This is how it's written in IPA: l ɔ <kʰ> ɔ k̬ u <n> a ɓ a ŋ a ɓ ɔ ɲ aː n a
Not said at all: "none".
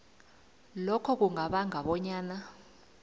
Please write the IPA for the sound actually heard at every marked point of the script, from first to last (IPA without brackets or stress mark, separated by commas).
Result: kʰ, ŋ